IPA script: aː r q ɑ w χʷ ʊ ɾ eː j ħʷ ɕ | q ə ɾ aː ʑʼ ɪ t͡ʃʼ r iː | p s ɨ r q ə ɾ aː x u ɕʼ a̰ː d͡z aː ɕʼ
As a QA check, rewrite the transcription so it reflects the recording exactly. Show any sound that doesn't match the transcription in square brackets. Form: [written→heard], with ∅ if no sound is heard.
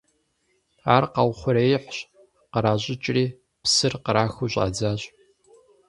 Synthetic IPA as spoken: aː r q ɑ w χʷ ʊ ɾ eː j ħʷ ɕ | q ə ɾ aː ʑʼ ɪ t͡ʃʼ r iː | p s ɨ r q ə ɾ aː x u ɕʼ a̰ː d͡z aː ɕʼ